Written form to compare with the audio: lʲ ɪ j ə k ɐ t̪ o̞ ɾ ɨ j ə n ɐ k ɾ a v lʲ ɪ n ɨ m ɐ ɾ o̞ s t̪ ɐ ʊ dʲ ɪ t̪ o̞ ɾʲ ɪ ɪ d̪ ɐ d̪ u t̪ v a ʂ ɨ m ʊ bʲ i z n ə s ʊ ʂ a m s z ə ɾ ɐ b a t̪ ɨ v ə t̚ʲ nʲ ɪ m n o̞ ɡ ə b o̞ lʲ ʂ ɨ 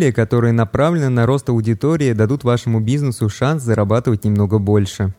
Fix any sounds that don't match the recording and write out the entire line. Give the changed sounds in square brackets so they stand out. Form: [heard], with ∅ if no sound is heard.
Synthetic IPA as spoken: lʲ ɪ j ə k ɐ t̪ o̞ ɾ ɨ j ə n ɐ [p] ɾ a v lʲ ɪ n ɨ [n] ɐ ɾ o̞ s t̪ ɐ ʊ dʲ ɪ t̪ o̞ ɾʲ ɪ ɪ d̪ ɐ d̪ u t̪ v a ʂ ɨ m ʊ bʲ i z n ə s ʊ ʂ a [n] s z ə ɾ ɐ b a t̪ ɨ v ə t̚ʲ nʲ ɪ m n o̞ ɡ ə b o̞ lʲ ʂ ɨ